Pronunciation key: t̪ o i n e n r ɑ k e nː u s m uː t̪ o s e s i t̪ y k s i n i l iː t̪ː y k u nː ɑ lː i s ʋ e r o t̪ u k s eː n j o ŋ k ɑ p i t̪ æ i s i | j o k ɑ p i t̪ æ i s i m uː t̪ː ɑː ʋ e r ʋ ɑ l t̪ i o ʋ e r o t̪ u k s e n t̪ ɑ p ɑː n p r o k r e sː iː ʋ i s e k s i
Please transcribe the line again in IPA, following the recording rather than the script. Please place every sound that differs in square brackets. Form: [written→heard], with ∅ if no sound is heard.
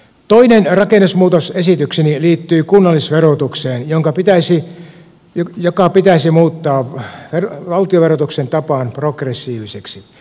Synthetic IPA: t̪ o i n e n r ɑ k e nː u s m uː t̪ o s e s i t̪ y k s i n i l iː t̪ː [y→yː] k u nː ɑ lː i s ʋ e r o t̪ u k s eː n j o ŋ k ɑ p i t̪ æ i s i | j o k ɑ p i t̪ æ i s i m uː t̪ː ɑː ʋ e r ʋ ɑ l t̪ i o ʋ e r o t̪ u k s e n t̪ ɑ p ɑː n p r o k r e sː iː ʋ i s e k s i